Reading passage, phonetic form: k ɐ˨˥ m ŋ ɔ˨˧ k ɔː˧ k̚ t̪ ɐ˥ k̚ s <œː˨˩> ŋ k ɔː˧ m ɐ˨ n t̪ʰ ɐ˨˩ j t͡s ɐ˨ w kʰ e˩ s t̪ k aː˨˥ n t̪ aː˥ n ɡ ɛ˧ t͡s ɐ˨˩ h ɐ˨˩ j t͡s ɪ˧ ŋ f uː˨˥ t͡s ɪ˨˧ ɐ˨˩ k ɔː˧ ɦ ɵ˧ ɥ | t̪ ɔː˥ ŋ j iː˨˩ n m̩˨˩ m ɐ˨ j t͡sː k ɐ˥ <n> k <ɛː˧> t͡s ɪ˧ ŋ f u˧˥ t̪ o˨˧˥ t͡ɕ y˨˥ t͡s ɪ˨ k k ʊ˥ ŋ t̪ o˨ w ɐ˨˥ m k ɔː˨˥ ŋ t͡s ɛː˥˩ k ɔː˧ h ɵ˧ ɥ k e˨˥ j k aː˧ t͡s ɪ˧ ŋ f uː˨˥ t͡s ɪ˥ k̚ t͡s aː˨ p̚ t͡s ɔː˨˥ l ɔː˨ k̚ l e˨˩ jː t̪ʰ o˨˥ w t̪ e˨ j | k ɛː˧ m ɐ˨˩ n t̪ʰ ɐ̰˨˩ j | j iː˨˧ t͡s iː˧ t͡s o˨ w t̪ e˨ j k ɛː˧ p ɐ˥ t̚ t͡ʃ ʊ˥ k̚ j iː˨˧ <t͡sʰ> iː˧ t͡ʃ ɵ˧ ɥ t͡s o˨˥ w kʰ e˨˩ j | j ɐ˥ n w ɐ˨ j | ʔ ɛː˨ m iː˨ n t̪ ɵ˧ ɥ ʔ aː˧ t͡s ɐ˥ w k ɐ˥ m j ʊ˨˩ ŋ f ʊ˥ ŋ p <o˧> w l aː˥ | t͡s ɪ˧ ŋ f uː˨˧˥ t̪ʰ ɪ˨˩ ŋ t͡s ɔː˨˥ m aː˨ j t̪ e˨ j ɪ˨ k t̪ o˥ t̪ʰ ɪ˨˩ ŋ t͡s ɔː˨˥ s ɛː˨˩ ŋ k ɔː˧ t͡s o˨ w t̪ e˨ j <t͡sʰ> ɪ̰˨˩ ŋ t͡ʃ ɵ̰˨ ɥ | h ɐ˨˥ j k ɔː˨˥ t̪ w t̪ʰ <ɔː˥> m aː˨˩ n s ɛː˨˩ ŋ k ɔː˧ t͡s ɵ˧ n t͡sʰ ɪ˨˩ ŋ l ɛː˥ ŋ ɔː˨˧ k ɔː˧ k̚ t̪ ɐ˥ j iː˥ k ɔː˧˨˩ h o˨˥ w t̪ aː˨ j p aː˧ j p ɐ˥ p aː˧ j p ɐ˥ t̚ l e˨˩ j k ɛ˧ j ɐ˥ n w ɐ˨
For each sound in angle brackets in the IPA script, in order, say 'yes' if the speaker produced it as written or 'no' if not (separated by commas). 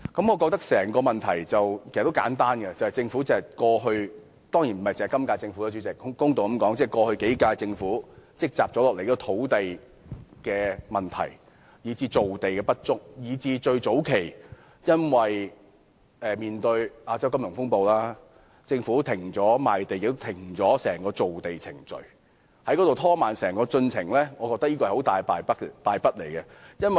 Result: no, no, no, no, yes, yes, yes